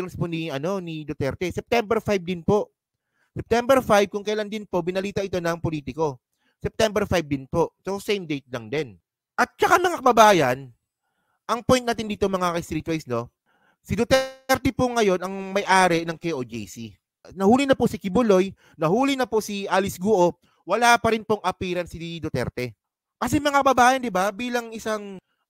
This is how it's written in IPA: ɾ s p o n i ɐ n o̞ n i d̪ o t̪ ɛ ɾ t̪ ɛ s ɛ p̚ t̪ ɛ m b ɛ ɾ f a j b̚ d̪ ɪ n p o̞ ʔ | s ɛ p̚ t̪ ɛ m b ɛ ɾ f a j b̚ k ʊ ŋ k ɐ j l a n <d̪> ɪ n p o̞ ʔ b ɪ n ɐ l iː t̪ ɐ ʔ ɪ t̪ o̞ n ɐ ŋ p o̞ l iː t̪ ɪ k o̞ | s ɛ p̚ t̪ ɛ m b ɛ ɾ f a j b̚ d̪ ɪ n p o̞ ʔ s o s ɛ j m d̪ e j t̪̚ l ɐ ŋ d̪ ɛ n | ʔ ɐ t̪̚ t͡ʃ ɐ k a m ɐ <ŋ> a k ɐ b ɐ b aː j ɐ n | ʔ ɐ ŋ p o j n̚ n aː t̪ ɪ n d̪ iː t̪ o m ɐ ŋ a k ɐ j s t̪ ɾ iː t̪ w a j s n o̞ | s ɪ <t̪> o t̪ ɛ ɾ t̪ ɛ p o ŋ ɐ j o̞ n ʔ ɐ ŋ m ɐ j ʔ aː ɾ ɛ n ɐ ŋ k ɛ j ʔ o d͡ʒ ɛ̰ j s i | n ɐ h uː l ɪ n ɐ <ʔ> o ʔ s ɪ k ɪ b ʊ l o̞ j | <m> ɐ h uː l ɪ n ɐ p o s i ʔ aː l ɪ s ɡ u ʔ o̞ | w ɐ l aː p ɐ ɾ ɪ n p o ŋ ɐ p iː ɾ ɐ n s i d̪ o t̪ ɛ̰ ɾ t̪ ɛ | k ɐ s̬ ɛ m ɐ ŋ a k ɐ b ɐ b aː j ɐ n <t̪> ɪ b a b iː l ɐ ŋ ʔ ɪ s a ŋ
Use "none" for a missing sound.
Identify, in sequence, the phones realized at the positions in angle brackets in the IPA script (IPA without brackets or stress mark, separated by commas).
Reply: d̪, ŋ, d̪, p, n, d̪